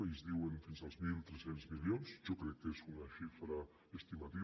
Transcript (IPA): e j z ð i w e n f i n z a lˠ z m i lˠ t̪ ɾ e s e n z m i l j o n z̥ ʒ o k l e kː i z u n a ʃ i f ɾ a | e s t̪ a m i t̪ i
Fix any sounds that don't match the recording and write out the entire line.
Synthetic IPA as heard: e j z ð i w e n f i n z a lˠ z m i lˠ t̪ ɾ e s e n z m i l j o n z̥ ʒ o k ɾ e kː e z u n a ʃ i f ɾ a | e s t̪ i m a t̪ i